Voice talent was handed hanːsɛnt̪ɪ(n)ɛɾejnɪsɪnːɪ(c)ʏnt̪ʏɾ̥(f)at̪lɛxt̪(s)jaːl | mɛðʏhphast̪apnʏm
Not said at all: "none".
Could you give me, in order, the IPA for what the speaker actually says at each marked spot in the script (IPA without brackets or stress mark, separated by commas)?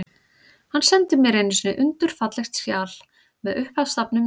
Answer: m, ʔ, f, s